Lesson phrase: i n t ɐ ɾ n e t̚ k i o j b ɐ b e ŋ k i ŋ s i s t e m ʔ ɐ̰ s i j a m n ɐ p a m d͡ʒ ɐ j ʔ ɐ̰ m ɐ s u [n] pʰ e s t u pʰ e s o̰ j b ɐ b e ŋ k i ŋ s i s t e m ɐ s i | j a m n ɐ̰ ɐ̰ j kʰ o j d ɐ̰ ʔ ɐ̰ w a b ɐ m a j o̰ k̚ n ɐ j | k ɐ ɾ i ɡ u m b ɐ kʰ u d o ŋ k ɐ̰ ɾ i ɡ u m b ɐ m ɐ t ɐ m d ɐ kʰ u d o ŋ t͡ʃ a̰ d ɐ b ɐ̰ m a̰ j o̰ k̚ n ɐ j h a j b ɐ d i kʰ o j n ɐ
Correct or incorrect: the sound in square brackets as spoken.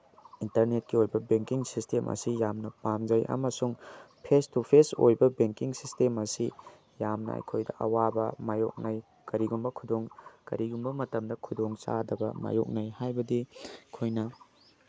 incorrect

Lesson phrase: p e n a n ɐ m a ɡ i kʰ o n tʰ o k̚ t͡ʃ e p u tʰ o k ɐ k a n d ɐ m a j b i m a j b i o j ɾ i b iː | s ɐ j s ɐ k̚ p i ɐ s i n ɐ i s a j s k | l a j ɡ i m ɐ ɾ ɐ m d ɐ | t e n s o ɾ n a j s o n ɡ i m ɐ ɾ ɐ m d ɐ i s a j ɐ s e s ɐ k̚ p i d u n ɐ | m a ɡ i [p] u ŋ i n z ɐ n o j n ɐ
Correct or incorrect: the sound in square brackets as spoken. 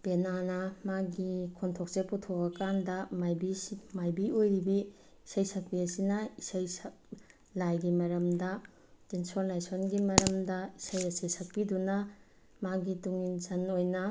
incorrect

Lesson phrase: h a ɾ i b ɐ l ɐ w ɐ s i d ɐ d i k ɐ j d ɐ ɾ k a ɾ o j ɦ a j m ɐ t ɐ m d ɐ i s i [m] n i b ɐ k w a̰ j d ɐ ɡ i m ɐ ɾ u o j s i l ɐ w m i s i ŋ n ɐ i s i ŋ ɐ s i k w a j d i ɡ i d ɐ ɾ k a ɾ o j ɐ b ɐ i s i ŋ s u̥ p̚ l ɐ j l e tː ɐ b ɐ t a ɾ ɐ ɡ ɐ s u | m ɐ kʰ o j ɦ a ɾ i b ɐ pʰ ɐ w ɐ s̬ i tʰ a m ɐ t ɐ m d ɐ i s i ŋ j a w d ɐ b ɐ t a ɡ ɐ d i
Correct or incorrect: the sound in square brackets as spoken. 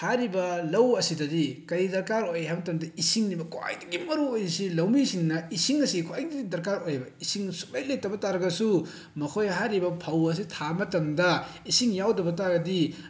incorrect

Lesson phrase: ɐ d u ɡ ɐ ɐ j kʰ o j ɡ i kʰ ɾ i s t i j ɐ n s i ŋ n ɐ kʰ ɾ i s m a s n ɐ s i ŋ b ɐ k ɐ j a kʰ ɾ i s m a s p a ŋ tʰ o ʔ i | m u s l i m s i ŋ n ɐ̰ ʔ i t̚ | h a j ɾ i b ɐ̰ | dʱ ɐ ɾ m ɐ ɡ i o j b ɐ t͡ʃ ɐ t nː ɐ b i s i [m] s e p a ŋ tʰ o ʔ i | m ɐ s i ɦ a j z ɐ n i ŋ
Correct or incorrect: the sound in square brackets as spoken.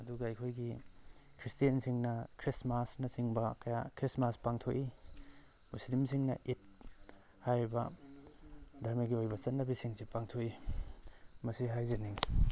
incorrect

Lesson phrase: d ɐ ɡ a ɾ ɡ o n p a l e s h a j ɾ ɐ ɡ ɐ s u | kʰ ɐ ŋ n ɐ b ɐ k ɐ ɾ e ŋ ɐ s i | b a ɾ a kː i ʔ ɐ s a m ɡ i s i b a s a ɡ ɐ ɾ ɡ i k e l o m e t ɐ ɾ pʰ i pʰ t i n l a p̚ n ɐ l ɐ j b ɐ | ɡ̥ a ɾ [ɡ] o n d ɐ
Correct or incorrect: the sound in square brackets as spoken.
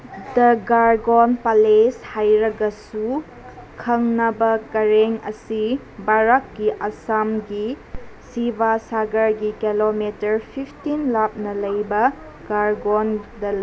correct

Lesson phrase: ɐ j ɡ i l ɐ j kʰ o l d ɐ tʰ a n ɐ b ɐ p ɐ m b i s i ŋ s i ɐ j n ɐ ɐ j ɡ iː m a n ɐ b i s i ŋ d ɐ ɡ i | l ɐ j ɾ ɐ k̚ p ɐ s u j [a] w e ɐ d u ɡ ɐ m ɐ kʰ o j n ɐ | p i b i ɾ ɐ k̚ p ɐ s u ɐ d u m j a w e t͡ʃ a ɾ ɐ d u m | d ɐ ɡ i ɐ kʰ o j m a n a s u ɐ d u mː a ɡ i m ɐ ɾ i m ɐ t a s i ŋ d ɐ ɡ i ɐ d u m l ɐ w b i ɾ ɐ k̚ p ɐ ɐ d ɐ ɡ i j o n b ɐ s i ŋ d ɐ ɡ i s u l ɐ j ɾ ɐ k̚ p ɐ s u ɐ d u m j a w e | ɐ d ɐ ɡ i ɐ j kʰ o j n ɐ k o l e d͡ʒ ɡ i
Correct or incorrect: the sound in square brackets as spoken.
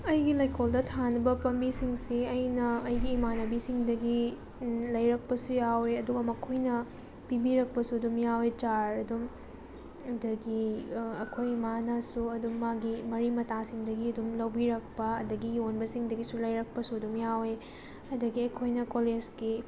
correct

